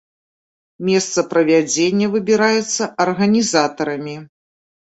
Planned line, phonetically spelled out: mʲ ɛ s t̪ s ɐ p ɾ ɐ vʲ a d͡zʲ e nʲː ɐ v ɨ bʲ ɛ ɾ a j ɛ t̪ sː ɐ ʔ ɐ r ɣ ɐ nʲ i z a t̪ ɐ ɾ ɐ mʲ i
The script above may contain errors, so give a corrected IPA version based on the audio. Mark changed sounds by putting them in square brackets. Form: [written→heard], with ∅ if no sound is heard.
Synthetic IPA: mʲ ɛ s t̪ s ɐ p ɾ ɐ vʲ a d͡zʲ e nʲː ɐ v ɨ bʲ [ɛ→i] ɾ a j ɛ t̪ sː ɐ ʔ ɐ r ɣ ɐ nʲ i z a t̪ ɐ ɾ ɐ mʲ i